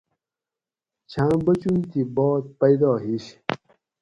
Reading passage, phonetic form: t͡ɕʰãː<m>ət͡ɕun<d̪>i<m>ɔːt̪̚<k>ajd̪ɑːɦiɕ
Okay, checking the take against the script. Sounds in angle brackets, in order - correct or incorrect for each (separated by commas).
incorrect, incorrect, incorrect, incorrect